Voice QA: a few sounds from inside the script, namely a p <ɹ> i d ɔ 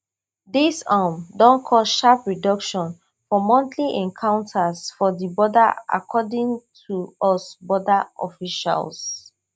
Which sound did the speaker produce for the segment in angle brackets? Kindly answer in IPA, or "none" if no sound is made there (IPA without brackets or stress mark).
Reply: ɹ